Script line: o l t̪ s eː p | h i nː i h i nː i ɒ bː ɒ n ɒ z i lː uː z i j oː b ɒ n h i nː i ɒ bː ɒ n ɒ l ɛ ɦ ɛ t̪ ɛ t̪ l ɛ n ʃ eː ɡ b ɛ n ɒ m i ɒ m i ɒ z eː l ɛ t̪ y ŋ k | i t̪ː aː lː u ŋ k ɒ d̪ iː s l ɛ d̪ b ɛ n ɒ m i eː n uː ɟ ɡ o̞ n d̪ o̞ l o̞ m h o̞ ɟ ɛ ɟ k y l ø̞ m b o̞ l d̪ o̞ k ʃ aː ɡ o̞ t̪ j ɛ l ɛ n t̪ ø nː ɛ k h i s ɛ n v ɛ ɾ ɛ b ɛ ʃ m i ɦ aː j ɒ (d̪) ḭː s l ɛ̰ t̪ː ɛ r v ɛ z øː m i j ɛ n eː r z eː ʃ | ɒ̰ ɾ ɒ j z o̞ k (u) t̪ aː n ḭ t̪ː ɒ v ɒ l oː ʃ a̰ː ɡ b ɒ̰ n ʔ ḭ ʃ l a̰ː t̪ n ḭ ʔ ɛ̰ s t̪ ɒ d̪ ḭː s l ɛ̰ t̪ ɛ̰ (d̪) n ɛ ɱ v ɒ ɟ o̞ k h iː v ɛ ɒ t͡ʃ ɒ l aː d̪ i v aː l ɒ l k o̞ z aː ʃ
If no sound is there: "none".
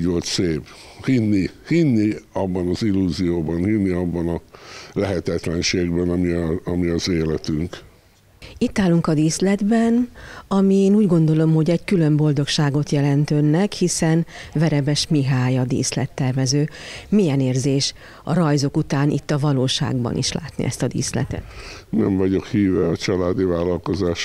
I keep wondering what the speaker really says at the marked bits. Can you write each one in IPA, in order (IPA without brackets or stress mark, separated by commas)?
d̪, u, t̪